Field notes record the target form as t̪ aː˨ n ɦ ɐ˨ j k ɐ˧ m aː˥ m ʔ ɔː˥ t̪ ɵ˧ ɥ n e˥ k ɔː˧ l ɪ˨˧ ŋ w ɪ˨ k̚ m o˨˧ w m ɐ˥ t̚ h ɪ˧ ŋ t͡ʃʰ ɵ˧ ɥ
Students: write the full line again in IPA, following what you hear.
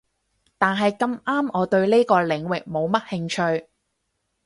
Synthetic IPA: t̪ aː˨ n ɦ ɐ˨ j k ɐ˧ m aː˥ m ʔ ɔː˨˧ t̪ ɵ˧ ɥ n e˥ k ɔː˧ l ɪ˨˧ ŋ w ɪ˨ k̚ m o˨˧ w m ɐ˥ t̚ h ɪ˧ ŋ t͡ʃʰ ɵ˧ ɥ